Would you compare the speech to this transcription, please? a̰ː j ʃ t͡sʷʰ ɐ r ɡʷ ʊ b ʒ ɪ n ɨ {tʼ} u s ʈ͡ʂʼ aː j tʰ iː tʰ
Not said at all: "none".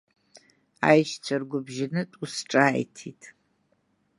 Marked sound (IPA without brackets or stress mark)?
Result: tʼ